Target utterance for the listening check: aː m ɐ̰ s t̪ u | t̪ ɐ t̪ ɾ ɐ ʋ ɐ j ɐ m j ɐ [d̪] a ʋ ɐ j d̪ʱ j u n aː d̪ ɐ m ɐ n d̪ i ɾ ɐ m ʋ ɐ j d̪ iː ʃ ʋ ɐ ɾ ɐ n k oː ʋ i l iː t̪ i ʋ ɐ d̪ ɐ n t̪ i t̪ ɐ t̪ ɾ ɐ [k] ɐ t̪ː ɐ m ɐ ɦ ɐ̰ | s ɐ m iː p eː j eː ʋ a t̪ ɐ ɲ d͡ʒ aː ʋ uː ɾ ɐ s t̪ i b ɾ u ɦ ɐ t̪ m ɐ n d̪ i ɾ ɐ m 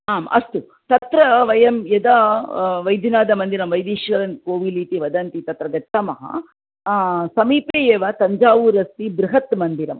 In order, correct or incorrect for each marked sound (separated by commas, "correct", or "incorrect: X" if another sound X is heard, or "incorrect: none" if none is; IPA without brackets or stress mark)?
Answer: correct, incorrect: ɡ